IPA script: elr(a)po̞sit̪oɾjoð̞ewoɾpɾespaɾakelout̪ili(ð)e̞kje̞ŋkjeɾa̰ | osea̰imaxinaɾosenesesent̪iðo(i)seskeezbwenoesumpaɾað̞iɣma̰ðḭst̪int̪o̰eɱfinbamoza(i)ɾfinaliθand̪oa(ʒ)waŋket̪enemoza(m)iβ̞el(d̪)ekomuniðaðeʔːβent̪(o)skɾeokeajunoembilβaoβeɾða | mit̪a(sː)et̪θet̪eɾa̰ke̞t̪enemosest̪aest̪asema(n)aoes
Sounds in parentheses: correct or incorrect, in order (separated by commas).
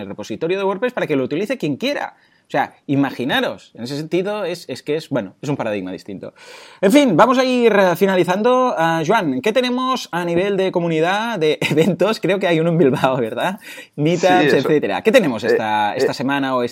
incorrect, incorrect, incorrect, correct, correct, incorrect, correct, correct, incorrect, correct